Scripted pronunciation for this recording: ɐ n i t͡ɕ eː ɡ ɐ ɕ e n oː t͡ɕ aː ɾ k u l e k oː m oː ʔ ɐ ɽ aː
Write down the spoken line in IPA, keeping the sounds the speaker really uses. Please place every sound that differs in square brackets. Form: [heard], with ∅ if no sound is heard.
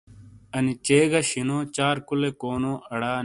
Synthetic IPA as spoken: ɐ n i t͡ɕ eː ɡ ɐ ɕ [i] n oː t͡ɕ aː ɾ k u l e k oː [n] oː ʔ ɐ ɽ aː